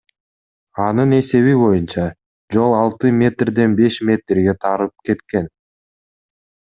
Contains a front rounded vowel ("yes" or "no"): no